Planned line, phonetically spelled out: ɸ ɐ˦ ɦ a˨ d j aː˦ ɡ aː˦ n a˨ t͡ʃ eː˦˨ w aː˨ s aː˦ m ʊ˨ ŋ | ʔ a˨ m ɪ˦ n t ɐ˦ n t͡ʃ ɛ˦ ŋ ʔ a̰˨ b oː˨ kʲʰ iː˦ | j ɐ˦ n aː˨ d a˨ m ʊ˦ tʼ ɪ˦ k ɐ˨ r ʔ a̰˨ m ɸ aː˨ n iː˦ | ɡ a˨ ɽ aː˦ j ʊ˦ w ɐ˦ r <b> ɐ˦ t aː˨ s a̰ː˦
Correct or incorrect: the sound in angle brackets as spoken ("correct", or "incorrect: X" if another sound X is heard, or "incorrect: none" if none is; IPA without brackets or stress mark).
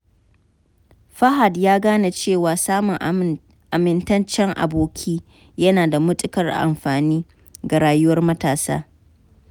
incorrect: m